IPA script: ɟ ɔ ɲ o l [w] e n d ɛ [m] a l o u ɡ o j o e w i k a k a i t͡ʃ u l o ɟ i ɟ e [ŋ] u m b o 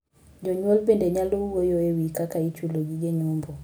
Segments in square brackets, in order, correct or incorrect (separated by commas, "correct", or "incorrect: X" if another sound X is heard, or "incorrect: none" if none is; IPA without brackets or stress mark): incorrect: b, incorrect: ɲ, incorrect: ɲ